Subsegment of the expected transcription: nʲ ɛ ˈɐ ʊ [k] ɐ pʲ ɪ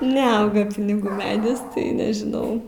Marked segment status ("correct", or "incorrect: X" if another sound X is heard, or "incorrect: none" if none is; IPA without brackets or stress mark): incorrect: ɡ